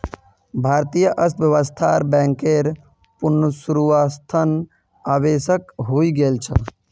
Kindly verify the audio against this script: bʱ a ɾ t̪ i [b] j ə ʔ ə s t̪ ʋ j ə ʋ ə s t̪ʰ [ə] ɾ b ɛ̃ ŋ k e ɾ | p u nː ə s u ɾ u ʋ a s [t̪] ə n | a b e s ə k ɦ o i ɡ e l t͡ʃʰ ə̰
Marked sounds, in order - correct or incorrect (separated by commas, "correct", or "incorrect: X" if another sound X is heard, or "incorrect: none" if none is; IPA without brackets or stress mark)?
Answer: incorrect: none, incorrect: a, incorrect: t̪ʰ